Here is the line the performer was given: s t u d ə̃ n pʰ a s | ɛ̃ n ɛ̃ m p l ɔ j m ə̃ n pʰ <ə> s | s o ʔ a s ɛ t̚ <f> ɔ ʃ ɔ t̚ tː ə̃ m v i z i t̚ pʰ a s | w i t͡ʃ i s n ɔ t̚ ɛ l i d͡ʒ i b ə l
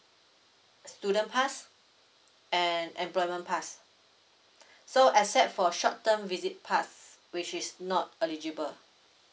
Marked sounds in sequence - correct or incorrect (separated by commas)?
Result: incorrect, correct